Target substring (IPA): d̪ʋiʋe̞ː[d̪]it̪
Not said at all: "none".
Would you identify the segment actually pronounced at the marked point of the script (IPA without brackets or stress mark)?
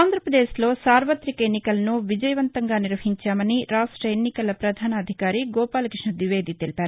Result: d̪